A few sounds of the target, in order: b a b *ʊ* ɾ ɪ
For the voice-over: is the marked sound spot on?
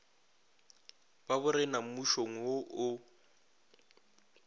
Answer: yes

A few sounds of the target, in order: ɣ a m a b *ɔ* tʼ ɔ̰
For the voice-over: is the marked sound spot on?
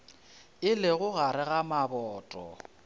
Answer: no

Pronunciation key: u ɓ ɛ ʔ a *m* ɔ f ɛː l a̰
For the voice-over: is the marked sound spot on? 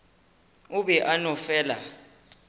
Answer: no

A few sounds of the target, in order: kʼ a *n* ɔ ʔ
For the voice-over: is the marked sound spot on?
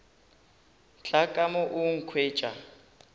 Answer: no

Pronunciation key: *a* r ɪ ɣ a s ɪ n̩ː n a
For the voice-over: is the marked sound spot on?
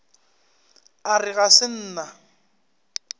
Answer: yes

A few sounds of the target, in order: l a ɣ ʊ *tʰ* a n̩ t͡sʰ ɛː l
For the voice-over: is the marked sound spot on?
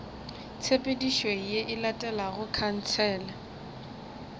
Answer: no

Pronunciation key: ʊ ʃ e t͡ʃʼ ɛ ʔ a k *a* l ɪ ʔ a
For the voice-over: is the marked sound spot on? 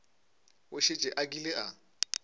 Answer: no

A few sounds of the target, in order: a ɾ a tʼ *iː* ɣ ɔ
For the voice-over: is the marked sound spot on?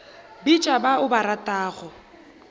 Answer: no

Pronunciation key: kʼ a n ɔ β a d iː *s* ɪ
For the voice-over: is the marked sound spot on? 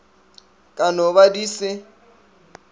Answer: yes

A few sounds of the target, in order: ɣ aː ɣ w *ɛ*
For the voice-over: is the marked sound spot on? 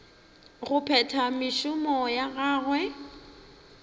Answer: yes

